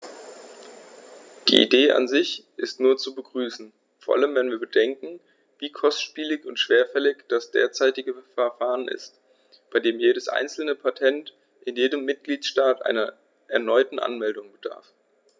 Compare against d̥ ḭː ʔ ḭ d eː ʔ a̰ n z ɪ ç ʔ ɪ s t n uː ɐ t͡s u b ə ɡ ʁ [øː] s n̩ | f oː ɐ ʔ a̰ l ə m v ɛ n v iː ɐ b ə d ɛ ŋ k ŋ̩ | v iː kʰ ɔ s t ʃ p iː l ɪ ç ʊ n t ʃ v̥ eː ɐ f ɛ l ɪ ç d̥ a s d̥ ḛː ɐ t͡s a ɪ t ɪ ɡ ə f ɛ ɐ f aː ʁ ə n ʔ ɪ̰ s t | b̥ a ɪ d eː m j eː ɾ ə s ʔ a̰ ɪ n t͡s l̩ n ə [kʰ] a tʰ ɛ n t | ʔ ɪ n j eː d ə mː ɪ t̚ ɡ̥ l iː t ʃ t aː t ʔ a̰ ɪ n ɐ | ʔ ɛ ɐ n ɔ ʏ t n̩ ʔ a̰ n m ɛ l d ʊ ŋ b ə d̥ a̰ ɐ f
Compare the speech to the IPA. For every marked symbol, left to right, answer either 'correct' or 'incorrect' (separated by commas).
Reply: incorrect, incorrect